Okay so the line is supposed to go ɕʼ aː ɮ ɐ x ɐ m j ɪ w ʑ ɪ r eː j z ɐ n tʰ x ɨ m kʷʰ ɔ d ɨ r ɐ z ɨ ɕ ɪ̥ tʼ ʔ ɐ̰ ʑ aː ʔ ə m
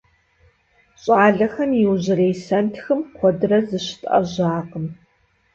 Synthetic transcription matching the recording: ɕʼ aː ɮ ɐ x ɐ m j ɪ w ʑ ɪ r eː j s ɐ n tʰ x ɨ m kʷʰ ɔ d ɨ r ɐ z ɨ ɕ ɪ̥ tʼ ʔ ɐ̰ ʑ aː q ə m